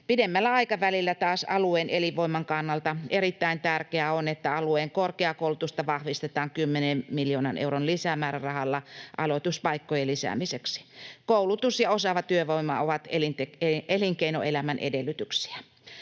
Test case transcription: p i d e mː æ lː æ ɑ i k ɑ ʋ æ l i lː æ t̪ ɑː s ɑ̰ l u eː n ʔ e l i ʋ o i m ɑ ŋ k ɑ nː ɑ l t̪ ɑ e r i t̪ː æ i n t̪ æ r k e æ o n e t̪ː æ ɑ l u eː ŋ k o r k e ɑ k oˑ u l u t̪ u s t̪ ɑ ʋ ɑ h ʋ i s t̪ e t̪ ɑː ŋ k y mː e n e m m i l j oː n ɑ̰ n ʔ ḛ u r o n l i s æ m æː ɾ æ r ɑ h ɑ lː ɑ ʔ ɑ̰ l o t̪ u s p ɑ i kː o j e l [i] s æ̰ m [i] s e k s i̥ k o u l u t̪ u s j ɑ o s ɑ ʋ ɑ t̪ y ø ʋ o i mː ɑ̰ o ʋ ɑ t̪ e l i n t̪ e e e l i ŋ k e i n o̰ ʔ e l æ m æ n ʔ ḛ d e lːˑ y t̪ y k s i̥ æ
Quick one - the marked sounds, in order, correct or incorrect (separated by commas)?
correct, correct